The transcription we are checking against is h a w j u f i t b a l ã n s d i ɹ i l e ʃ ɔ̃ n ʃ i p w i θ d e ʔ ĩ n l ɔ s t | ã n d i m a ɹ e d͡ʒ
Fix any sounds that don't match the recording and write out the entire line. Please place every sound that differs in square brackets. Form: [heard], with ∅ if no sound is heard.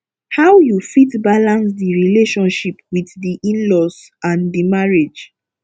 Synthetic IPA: h a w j u f i t b a l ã n s d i ɹ i l e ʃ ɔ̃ n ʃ i p w i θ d [i] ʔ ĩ n l ɔ s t | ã n d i m a ɹ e d͡ʒ